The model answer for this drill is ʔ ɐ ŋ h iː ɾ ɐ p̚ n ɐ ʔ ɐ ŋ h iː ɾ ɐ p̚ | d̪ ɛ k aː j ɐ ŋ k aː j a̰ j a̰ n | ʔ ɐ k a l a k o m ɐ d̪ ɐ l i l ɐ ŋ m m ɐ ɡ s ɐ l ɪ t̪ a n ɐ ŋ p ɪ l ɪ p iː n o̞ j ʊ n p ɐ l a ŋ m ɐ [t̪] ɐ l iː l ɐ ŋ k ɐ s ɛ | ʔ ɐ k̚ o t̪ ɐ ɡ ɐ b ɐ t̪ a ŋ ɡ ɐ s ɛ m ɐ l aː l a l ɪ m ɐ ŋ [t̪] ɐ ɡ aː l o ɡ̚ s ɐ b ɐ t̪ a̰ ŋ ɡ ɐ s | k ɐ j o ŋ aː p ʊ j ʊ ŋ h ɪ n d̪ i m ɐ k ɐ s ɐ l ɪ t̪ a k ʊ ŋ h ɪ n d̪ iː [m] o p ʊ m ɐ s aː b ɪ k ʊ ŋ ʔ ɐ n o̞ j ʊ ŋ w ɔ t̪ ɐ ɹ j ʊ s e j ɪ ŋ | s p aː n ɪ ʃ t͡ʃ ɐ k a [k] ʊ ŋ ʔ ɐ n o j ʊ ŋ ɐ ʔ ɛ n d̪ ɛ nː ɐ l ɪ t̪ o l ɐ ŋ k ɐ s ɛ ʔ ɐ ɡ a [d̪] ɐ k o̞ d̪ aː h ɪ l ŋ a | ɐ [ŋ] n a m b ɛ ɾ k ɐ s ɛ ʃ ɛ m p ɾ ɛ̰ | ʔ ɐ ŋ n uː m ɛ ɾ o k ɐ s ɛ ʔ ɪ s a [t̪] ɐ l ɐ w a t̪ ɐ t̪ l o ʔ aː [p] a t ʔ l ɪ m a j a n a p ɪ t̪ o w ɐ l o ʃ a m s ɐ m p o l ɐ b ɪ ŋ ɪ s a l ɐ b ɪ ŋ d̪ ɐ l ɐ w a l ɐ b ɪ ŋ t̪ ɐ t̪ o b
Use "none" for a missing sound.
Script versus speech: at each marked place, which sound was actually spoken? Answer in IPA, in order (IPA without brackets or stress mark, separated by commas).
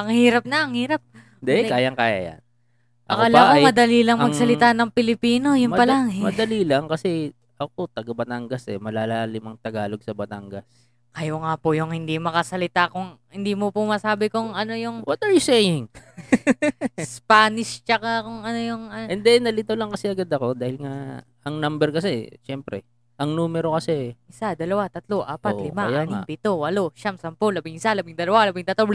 d̪, t̪, m, k, d̪, ŋ, d̪, p